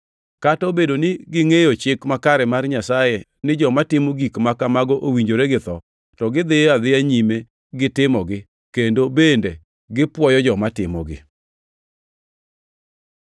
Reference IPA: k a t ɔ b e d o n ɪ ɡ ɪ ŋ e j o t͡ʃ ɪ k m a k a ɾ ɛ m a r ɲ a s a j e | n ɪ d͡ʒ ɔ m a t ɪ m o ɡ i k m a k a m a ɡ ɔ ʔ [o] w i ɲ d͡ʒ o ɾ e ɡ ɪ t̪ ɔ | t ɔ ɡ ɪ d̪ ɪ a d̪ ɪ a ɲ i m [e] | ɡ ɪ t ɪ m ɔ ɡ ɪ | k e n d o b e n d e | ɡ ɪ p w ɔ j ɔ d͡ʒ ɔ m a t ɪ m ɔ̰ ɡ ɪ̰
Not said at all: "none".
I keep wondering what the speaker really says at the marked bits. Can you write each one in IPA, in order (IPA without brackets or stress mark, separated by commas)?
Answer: o, e